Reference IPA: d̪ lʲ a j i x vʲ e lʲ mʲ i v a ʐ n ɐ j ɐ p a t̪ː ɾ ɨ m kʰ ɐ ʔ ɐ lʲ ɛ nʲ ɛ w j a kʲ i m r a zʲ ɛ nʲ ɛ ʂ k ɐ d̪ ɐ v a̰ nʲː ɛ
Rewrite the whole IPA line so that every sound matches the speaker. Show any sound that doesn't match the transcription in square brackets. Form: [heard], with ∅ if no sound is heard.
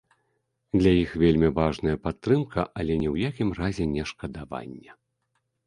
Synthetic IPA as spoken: d̪ lʲ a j i x vʲ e lʲ mʲ i v a ʐ n ɐ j ɐ p a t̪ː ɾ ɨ m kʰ ɐ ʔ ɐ lʲ ɛ nʲ ɛ w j a kʲ i m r a zʲ ɛ nʲ ɛ ʂ k ɐ d̪ [a] v a̰ nʲː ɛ